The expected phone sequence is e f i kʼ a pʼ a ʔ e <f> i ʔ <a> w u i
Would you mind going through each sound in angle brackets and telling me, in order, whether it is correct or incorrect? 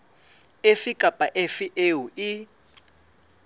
correct, incorrect: e

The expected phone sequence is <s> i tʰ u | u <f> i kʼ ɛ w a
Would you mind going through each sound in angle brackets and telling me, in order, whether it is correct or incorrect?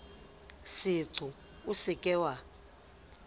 correct, incorrect: s

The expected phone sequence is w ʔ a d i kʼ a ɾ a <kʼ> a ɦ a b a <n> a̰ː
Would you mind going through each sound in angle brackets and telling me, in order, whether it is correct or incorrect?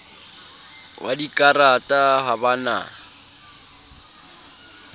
incorrect: tʼ, correct

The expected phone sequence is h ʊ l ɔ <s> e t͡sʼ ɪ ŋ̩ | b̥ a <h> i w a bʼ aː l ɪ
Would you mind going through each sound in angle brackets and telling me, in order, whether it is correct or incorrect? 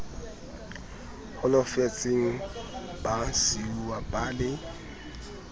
incorrect: f, incorrect: s

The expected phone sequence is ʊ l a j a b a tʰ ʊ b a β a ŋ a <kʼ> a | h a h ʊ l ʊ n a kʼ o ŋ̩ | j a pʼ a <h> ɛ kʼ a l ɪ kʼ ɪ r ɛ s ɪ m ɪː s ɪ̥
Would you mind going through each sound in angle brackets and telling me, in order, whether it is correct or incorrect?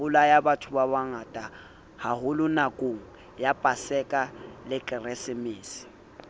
incorrect: tʼ, incorrect: s

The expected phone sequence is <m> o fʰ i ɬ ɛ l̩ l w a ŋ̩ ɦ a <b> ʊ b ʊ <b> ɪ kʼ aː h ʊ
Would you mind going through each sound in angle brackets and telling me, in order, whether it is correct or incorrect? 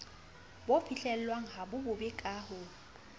incorrect: b, correct, correct

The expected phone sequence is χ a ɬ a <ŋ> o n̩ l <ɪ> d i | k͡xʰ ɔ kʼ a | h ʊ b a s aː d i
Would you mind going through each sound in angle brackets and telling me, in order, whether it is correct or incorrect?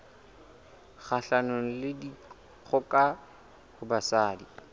incorrect: n, correct

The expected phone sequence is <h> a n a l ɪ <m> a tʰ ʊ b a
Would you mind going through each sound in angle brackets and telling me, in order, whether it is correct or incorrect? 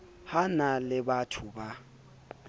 correct, incorrect: b

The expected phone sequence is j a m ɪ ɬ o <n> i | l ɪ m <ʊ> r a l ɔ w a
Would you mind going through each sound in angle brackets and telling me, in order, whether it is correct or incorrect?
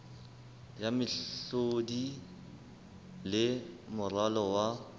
incorrect: d, correct

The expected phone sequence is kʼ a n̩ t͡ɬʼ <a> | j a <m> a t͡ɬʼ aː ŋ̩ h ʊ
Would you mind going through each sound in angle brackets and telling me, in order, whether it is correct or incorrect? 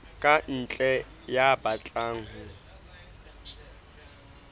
incorrect: ɛ, incorrect: b

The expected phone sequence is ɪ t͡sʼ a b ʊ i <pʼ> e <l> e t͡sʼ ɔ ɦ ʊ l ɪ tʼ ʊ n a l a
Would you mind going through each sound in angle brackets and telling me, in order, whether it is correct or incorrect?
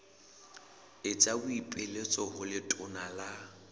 correct, correct

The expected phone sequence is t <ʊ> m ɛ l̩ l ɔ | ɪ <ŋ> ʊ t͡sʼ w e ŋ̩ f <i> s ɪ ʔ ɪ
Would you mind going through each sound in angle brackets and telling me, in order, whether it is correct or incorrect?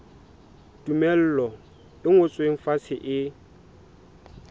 incorrect: u, correct, incorrect: a

